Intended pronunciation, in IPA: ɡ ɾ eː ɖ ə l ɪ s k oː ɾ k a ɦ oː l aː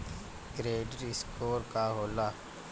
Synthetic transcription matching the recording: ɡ ɾ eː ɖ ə ɾ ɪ s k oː ɾ k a ɦ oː l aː